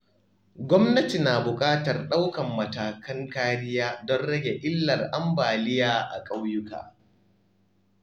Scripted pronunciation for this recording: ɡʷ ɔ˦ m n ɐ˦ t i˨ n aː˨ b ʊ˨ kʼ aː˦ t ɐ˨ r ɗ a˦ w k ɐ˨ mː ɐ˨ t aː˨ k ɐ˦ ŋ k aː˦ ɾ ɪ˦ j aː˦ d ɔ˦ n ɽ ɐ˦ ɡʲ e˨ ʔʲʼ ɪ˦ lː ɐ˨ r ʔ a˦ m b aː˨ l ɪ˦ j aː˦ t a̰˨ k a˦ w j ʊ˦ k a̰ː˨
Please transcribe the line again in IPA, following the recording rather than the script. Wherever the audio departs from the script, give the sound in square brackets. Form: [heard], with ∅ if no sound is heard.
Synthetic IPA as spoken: ɡʷ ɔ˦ m n ɐ˦ t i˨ n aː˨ b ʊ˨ kʼ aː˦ t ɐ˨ r ɗ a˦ w k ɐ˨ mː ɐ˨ t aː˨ k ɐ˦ ŋ k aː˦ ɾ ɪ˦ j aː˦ d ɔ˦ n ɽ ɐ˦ ɡʲ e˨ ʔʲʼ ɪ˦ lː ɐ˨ r ʔ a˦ m b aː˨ l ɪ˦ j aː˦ [ʔ] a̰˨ [kʼ] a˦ w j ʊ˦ k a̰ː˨